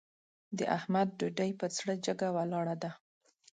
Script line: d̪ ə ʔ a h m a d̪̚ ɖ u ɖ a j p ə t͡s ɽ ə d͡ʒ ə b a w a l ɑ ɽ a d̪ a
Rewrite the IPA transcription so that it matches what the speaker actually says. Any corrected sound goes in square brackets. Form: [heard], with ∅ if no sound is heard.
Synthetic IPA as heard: d̪ ə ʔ a h m a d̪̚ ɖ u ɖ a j p ə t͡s ɽ ə d͡ʒ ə [ɡ] a w a l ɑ ɽ a d̪ a